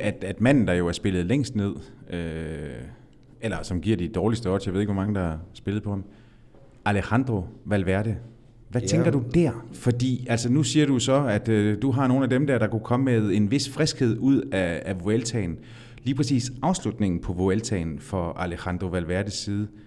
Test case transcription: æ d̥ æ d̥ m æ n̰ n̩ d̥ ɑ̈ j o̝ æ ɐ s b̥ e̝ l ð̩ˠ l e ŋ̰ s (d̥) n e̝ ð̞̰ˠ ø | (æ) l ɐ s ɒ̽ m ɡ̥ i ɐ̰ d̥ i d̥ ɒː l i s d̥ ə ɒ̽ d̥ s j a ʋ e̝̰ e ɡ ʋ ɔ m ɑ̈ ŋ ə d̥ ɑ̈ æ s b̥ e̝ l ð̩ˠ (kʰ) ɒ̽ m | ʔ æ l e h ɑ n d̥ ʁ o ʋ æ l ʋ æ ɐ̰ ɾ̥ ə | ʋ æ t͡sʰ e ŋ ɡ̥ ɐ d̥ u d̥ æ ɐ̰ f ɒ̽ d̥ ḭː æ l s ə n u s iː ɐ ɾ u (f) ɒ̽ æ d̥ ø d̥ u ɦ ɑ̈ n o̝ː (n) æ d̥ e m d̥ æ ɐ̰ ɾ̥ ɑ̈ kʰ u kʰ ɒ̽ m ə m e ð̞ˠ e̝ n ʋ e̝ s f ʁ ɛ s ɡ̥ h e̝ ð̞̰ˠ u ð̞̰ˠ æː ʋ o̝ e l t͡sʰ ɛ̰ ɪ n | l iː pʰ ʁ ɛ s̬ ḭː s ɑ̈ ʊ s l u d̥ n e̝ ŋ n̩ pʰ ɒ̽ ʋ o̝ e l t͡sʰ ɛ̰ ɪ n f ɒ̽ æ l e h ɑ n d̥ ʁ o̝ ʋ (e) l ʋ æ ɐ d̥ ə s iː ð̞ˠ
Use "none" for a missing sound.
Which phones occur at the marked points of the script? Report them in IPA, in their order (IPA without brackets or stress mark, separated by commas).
d̥, e, pʰ, s, n, æ